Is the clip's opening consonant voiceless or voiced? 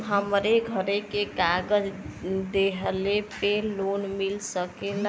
voiced